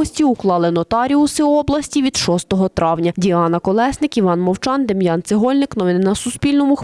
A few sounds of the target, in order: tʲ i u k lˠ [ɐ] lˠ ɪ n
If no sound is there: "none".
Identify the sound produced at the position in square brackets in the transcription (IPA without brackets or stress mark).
ɑ